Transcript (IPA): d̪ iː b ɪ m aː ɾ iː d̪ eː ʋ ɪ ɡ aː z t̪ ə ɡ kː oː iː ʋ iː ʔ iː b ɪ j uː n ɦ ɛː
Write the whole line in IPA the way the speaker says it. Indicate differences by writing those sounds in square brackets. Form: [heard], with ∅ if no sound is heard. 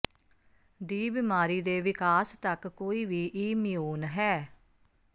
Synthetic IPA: d̪ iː b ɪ m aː ɾ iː d̪ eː ʋ ɪ [k] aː [s] t̪ ə [k] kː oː iː ʋ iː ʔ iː [m] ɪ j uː n ɦ ɛː